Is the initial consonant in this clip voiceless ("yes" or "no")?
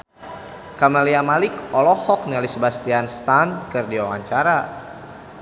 yes